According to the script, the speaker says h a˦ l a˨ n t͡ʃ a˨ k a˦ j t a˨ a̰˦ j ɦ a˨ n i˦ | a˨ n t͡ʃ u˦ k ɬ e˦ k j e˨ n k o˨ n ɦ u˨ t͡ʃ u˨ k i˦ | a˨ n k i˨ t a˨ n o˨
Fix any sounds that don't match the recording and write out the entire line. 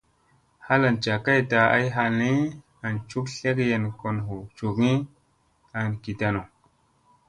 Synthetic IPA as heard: h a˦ l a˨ n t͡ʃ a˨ k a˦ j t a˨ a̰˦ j ɦ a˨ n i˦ | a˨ n t͡ʃ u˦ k ɬ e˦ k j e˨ n k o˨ n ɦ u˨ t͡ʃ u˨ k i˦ | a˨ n k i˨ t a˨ n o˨